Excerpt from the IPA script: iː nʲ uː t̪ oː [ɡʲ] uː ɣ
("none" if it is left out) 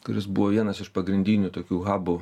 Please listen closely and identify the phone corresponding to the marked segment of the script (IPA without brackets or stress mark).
kʲ